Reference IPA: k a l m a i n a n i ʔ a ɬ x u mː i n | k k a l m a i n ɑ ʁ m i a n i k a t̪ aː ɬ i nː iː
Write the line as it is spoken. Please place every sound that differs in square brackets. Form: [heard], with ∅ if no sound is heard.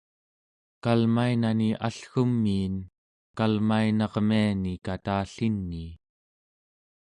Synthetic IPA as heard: k a l m a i n a n i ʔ a ɬ x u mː [iː] n | k k a l m a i n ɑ ʁ m i a n i k a t̪ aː ɬ i nː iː